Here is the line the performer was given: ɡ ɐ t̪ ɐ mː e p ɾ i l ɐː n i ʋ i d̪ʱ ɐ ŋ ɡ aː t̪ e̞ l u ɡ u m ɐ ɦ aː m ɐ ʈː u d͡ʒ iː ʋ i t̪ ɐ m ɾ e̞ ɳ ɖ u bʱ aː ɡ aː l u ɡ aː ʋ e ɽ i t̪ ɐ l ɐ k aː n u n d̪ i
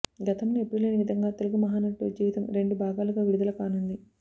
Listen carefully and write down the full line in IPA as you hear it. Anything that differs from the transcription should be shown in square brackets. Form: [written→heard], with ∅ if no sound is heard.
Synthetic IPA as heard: ɡ ɐ t̪ ɐ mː e p ɾ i l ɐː n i ʋ i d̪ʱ ɐ ŋ ɡ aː t̪ e̞ l u ɡ u m ɐ ɦ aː [m→n] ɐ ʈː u d͡ʒ iː ʋ i t̪ ɐ m ɾ e̞ ɳ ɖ u bʱ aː ɡ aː l u ɡ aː ʋ [e→i] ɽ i [t̪→d̪] ɐ l ɐ k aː n u n d̪ i